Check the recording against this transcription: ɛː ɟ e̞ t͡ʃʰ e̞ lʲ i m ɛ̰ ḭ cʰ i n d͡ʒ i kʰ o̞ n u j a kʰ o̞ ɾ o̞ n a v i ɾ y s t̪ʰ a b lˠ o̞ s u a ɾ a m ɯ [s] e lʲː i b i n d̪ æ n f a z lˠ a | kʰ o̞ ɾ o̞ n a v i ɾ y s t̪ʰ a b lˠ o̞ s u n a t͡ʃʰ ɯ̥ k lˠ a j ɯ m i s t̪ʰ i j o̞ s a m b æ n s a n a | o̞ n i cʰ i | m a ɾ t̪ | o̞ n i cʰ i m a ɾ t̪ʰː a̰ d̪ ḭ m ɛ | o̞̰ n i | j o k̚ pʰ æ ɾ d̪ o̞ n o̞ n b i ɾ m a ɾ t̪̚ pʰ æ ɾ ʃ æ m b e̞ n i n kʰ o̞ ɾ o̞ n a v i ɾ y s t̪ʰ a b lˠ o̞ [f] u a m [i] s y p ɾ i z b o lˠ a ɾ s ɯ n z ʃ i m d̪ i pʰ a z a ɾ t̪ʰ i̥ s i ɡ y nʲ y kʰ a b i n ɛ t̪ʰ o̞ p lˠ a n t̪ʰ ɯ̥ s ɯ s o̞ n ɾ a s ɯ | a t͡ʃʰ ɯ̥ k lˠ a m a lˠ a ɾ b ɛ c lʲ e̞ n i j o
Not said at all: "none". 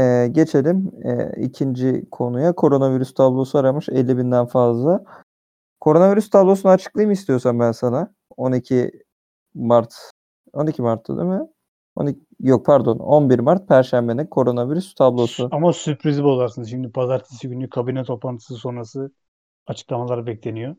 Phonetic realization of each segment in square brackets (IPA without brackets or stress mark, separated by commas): ʃ, s, a